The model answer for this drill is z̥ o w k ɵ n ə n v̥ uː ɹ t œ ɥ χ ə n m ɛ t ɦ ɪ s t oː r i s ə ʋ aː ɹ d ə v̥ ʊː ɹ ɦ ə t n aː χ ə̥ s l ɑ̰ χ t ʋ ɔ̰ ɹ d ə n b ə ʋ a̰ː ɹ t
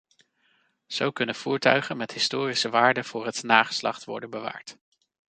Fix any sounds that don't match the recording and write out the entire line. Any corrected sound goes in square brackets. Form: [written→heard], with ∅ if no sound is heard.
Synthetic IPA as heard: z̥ o w k ɵ n ə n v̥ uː ɹ t œ ɥ χ ə n m ɛ t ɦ ɪ s t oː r i s ə ʋ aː ɹ d ə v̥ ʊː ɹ ɦ ə t n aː χ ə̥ s l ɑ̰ χ t ʋ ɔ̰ ɹ d ə n b ə ʋ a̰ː ɹ t